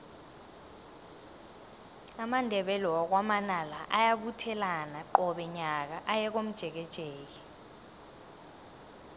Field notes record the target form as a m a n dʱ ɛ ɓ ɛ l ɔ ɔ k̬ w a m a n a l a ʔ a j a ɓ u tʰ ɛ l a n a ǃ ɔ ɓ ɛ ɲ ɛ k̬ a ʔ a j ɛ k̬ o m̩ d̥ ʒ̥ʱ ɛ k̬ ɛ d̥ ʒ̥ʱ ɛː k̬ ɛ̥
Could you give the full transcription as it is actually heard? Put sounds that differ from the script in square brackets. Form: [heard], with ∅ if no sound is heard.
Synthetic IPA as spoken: a m a n dʱ ɛ ɓ ɛ l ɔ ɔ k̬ w a m a n a l a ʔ a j a ɓ u tʰ ɛ l a n a ǃ ɔ ɓ ɛ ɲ [a] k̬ a ʔ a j ɛ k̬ o m̩ d̥ ʒ̥ʱ ɛ k̬ ɛ d̥ ʒ̥ʱ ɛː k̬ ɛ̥